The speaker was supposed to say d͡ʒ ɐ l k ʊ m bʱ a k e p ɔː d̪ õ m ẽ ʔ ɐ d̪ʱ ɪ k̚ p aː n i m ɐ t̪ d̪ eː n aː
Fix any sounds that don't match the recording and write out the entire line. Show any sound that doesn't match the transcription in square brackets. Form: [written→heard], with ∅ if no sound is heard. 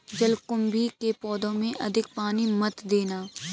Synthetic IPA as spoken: d͡ʒ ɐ l k ʊ m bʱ [a→i] k e p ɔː d̪ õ m ẽ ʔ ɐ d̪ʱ ɪ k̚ p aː n i m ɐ t̪ d̪ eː n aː

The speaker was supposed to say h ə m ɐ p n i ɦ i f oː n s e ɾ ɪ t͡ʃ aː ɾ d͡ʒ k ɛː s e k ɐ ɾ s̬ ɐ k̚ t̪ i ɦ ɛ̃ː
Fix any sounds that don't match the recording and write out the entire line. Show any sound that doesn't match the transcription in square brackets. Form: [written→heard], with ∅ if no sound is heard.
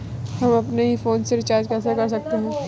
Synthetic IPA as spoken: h [ə→ɐ] m ɐ p n [i→e] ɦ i f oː n s e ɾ ɪ t͡ʃ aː ɾ d͡ʒ k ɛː s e k ɐ ɾ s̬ ɐ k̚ t̪ [i→e] ɦ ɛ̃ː

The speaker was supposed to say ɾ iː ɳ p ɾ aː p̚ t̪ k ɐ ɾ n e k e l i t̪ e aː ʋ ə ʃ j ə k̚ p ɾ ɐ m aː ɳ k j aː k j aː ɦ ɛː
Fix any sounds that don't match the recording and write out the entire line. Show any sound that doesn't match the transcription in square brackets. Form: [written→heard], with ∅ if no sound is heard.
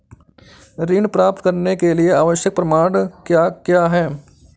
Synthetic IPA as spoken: ɾ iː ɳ p ɾ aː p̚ t̪ k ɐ ɾ n e k e l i [t̪→∅] e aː ʋ ə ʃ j ə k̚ p ɾ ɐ m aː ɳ k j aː k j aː ɦ ɛː

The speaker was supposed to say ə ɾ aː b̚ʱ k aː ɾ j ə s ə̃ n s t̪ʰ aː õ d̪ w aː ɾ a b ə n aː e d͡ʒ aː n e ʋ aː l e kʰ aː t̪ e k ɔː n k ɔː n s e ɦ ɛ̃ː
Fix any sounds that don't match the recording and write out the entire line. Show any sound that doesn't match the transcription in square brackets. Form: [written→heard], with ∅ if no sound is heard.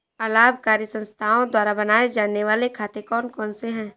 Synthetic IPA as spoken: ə [ɾ→l] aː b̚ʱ k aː ɾ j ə s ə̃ n s t̪ʰ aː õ d̪ w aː ɾ a b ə n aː e d͡ʒ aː n e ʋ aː l e kʰ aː t̪ e k ɔː n k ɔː n s e ɦ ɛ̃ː

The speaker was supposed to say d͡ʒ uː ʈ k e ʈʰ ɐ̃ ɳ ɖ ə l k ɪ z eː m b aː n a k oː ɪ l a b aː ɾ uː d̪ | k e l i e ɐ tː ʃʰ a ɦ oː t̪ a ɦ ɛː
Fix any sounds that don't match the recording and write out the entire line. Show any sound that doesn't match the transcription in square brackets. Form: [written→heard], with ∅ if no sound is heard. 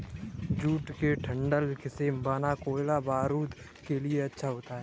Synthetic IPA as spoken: d͡ʒ uː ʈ k e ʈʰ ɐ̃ ɳ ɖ ə l k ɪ [z→s] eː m b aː n a k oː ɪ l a b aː ɾ uː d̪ | k e l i e ɐ tː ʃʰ a ɦ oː t̪ a ɦ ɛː

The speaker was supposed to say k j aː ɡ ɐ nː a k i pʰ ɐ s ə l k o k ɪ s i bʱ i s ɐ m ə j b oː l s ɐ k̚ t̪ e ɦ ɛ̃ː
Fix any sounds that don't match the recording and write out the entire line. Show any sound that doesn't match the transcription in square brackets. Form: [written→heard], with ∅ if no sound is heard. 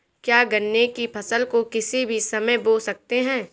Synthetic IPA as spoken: k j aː ɡ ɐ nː [a→e] k i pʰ ɐ s ə l k o k ɪ s i bʱ i s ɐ m ə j b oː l s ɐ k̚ t̪ e ɦ ɛ̃ː

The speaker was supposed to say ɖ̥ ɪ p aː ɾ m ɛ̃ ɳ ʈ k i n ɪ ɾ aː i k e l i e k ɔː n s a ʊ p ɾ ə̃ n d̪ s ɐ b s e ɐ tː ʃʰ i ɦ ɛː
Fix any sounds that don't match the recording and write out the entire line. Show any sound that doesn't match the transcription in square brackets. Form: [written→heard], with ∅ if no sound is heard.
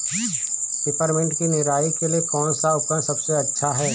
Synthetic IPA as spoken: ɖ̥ ɪ p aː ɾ m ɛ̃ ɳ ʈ k i n ɪ ɾ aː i k e l i e k ɔː n s a ʊ p ɾ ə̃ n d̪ s ɐ b s e ɐ tː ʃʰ [i→a] ɦ ɛː

